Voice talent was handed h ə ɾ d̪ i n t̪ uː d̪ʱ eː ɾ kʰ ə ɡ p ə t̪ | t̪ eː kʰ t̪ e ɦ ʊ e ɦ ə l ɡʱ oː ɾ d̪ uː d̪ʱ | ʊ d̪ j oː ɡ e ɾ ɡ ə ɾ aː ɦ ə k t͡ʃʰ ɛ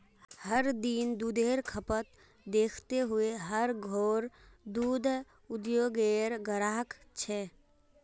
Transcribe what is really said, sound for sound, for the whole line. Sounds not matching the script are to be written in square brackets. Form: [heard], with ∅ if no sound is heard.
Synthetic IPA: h ə ɾ d̪ i n [d̪] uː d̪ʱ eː ɾ kʰ ə [∅] p ə t̪ | [d̪] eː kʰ t̪ e ɦ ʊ e ɦ ə [ɾ] ɡʱ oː ɾ d̪ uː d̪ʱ | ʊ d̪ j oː ɡ e ɾ ɡ ə ɾ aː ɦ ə k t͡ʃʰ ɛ

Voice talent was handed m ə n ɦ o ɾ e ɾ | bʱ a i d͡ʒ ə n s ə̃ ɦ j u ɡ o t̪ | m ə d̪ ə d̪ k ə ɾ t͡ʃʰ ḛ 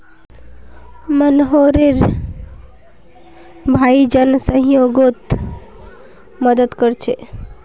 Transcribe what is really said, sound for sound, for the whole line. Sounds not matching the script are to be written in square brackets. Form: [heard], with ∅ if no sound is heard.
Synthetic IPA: m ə n ɦ o ɾ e ɾ | bʱ a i d͡ʒ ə n s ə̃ ɦ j [o] ɡ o t̪ | m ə d̪ ə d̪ k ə ɾ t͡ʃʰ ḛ

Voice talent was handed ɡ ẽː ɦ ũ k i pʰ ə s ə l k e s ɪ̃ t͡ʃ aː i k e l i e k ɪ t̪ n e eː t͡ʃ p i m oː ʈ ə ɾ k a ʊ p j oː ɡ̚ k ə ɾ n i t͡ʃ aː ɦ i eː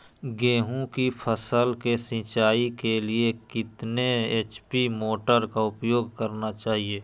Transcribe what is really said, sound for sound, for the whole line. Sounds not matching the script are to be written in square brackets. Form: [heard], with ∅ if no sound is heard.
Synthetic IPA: ɡ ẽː ɦ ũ k i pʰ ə s ə l k e s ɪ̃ t͡ʃ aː i k e l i e k ɪ t̪ n e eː t͡ʃ p i m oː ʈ ə ɾ k a ʊ p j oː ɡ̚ k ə ɾ n [a] t͡ʃ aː ɦ i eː

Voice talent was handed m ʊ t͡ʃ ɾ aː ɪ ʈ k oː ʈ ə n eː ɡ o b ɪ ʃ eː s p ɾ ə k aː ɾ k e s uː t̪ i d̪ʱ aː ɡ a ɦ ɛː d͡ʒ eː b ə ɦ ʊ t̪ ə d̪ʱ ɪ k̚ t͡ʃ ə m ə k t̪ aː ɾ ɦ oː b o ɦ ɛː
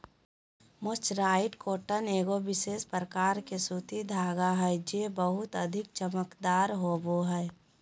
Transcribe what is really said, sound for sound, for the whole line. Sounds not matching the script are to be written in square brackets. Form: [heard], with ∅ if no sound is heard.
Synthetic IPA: m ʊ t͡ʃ ɾ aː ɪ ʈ k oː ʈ ə n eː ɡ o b ɪ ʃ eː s p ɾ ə k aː ɾ k e s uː t̪ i d̪ʱ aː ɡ a ɦ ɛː d͡ʒ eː b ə ɦ ʊ t̪ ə d̪ʱ ɪ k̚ t͡ʃ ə m ə k [d̪] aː ɾ ɦ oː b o ɦ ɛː

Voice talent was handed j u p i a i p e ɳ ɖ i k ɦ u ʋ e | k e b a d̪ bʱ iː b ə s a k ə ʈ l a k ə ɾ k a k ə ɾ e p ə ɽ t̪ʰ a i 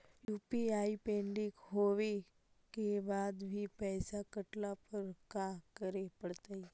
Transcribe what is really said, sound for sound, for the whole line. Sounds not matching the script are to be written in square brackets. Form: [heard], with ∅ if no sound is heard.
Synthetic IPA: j u p i a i p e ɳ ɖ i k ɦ [o] ʋ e | k e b a d̪ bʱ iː [p] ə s a k ə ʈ l a [p] ə ɾ k a k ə ɾ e p ə ɽ [t̪] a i

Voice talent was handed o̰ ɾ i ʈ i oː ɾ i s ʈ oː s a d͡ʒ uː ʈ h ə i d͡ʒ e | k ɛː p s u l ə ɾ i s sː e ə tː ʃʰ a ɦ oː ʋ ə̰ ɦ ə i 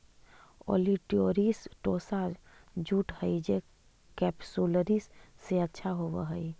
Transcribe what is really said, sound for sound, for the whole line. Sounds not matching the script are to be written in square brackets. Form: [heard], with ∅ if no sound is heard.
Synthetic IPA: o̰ [l] i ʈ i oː ɾ i s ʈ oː s a d͡ʒ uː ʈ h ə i d͡ʒ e | k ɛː p s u l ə ɾ i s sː e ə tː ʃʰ a ɦ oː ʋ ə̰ ɦ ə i

